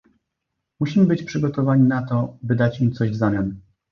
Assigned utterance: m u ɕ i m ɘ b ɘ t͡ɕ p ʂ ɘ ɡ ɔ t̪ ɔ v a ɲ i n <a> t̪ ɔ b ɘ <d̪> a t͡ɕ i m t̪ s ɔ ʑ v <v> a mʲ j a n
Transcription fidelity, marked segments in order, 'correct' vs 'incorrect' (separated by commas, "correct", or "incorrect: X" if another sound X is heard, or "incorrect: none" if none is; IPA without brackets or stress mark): correct, correct, incorrect: z